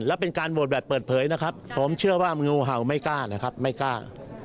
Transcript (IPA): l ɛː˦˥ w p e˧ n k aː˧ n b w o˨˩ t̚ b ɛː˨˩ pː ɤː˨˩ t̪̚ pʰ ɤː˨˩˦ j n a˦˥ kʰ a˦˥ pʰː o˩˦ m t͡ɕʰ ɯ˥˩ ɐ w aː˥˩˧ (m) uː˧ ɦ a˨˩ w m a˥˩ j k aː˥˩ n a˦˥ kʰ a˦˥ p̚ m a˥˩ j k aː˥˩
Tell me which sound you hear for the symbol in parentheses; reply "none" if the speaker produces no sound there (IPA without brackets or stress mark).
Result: ŋ